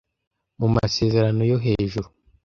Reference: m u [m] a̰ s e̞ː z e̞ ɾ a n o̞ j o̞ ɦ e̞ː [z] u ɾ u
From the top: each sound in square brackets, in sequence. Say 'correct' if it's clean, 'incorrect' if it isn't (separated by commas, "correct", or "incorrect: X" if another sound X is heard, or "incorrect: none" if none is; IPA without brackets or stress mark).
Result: correct, incorrect: ʒ